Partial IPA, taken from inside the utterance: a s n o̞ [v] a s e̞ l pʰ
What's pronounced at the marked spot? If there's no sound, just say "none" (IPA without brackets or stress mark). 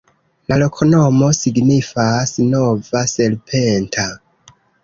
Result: v